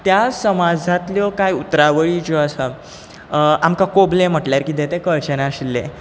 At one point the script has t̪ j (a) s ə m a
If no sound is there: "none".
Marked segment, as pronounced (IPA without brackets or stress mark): a